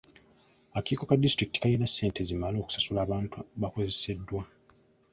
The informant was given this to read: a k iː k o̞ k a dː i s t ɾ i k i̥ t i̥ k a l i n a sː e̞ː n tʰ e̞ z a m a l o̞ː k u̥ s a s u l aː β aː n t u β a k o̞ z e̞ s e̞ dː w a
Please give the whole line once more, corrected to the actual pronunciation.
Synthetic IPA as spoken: a k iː k o̞ k a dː i s t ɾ i k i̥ t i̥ k a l i n a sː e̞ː n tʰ e̞ z i m a l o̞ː k u̥ s a s u l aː β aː n t u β a k o̞ z e̞ s e̞ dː w a